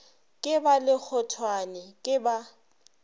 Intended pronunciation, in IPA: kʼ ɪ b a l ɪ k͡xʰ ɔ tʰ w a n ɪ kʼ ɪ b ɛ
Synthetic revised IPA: kʼ ɪ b a l ɪ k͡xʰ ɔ tʰ w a n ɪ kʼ ɪ b a